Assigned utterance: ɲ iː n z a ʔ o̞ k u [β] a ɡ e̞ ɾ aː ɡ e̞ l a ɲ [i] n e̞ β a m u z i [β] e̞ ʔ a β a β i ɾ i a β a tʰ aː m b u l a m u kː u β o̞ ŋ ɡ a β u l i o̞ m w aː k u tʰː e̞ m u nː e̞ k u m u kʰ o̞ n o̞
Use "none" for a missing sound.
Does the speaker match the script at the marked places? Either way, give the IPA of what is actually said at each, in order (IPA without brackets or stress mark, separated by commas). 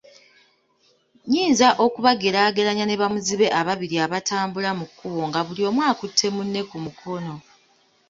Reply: β, a, β